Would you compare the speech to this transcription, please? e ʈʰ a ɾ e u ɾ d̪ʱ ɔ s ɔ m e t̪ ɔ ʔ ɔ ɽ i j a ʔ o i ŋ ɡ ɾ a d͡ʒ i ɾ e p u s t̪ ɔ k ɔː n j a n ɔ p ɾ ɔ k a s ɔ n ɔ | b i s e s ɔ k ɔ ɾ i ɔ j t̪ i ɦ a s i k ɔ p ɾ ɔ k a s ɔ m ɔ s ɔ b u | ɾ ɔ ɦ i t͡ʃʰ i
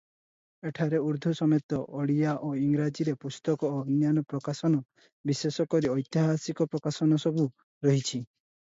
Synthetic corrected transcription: e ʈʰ a ɾ e u ɾ d̪ʱ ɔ s ɔ m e t̪ ɔ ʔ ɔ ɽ i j a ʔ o i ŋ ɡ ɾ a d͡ʒ i ɾ e p u s t̪ ɔ k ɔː n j a n ɔ p ɾ ɔ k a s ɔ n ɔ | b i s e s ɔ k ɔ ɾ i ɔ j t̪ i ɦ a s i k ɔ p ɾ ɔ k a s ɔ n ɔ s ɔ b u | ɾ ɔ ɦ i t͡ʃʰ i

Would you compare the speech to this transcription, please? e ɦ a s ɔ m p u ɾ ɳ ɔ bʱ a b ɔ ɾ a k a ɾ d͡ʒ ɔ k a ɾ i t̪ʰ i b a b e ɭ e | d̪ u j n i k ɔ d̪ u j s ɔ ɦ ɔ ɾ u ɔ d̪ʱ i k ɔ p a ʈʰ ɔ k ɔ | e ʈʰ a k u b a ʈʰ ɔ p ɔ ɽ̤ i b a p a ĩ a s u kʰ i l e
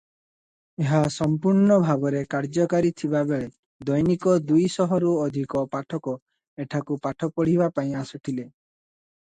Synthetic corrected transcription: e ɦ a s ɔ m p u ɾ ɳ ɔ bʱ a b ɔ ɾ e k a ɾ d͡ʒ ɔ k a ɾ i t̪ʰ i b a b e ɭ e | d̪ ɔ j n i k ɔ d̪ u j s ɔ ɦ ɔ ɾ u ɔ d̪ʱ i k ɔ p a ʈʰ ɔ k ɔ | e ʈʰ a k u p a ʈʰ ɔ p ɔ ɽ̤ i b a p a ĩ a s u ʈʰ i l e

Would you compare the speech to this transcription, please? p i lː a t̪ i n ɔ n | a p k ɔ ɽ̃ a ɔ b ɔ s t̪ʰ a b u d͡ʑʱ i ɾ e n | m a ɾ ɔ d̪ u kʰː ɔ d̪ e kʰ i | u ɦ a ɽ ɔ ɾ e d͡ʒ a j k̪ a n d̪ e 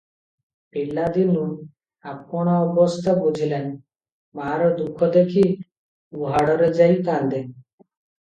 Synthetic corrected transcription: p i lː a d̪ i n u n | a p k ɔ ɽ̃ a ɔ b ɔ s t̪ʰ a b u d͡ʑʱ i l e n | m a ɾ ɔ d̪ u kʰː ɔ d̪ e kʰ i | u ɦ a ɽ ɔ ɾ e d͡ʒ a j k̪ a n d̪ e

